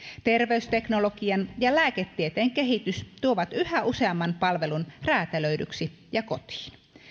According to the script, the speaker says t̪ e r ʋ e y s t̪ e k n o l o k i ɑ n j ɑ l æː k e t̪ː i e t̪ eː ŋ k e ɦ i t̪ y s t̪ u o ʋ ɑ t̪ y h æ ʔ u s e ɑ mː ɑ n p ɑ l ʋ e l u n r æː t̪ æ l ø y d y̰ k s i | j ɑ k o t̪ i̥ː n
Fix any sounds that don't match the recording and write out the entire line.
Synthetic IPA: t̪ e r ʋ e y s t̪ e k n o l o k i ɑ n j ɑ l æː k e t̪ː i e t̪ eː ŋ k e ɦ i t̪ y s t̪ u o ʋ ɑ t̪ y h æ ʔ u s e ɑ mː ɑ n p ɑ l ʋ e l u n r æː t̪ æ l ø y d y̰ k s i | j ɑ k o t̪ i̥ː n

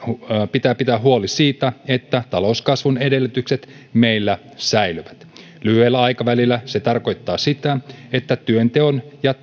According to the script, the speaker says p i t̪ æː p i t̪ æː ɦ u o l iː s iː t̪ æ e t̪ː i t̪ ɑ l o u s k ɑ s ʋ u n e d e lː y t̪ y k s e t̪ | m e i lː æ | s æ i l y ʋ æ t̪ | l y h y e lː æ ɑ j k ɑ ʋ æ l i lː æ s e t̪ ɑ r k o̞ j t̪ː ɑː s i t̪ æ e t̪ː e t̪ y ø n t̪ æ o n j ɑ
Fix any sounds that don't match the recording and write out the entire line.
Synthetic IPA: p i t̪ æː p i t̪ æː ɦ u o l i s iː t̪ æ e t̪ː æ t̪ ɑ l o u s k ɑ s ʋ u n e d e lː y t̪ y k s e t̪ | m e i lː æ | s æ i l y ʋ æ t̪ | l y h y e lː æ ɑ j k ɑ ʋ æ l i lː æ s e t̪ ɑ r k o̞ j t̪ː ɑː s i t̪ æ e t̪ː æ t̪ y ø n t̪ e o n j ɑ

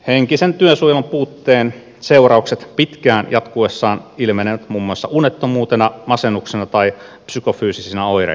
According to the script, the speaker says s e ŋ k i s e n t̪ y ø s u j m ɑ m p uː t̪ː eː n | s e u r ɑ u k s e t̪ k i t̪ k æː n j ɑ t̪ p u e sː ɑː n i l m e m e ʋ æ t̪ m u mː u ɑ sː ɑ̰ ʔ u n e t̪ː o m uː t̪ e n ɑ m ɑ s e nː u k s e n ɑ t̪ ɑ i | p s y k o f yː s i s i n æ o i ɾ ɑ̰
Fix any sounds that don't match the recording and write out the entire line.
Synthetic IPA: h e ŋ k i s e n t̪ y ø s u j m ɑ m p uː t̪ː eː n | s e u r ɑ u k s e t̪ p i t̪ k æː n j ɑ t̪ k u e sː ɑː n i l m e n e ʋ æ t̪ m u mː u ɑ sː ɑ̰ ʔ u n e t̪ː o m uː t̪ e n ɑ m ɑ s e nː u k s e n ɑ t̪ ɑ i | p s y k o f yː s i s i n æ o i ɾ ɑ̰

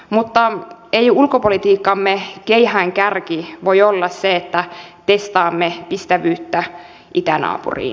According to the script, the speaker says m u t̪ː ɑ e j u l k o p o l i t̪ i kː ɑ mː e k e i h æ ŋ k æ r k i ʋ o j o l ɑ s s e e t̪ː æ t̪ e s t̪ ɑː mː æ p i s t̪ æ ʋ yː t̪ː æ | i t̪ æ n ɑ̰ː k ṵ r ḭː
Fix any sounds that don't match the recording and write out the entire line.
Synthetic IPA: m u t̪ː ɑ e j u l k o p o l i t̪ iː kː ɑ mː e k e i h æ ŋ k æ r k i ʋ o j o lː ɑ s s e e t̪ː æ t̪ e s t̪ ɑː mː e p i s t̪ æ ʋ yː t̪ː æ | i t̪ æ n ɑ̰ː p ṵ r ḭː

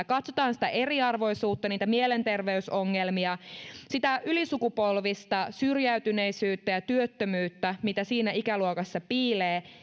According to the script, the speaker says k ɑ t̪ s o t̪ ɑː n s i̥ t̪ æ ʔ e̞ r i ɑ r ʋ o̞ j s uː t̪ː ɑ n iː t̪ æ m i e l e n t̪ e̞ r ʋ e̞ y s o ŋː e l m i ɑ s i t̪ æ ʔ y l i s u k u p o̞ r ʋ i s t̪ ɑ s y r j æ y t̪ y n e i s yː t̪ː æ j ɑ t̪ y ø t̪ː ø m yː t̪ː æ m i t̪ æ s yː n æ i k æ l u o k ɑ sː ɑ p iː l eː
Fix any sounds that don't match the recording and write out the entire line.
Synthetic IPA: k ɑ t̪ s o t̪ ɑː n s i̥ t̪ æ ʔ e̞ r i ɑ r ʋ o̞ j s uː t̪ː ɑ n iː t̪ æ m i e l e n t̪ e̞ r ʋ e̞ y s o ŋː e l m i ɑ s i t̪ æ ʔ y l i s u k u p o̞ l ʋ i s t̪ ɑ s y r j æ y t̪ y n e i s yː t̪ː æ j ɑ t̪ y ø t̪ː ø m yː t̪ː æ m i t̪ æ s iː n æ i k æ l u o k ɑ sː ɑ p iː l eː

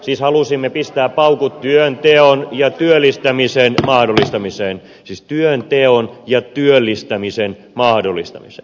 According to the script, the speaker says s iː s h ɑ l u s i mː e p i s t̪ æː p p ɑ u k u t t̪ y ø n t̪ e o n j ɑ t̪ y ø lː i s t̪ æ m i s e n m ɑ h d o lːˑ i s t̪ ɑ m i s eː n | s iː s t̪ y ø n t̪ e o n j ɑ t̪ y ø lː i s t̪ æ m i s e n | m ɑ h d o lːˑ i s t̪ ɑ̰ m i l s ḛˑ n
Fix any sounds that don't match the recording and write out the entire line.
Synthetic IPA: s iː s h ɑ l u s i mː e p i s t̪ æː p p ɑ u k u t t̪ y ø n t̪ e o n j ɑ t̪ y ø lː i s t̪ æ m i s e n m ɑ h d o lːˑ i s t̪ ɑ m i s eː n | s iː s t̪ y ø n t̪ e o n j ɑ t̪ y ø lː i s t̪ æ m i s e n | m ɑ h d o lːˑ i s t̪ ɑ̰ m i s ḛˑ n

